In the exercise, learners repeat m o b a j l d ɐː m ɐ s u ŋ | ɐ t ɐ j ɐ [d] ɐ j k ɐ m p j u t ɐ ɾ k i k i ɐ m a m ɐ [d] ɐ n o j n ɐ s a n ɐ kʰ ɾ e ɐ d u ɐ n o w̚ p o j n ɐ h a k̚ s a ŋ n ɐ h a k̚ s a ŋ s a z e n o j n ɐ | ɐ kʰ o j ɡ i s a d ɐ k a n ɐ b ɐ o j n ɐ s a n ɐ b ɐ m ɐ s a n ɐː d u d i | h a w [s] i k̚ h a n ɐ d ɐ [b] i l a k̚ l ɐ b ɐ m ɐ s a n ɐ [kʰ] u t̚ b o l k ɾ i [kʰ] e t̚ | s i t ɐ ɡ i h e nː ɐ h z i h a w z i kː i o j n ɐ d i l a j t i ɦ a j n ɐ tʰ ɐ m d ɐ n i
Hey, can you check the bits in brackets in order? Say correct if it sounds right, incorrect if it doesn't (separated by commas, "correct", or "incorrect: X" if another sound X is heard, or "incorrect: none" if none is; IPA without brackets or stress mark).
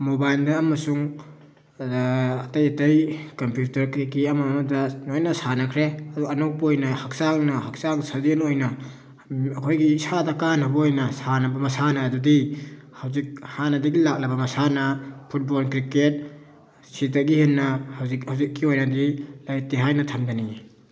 incorrect: t, correct, incorrect: z, incorrect: ɡ, incorrect: pʰ, incorrect: k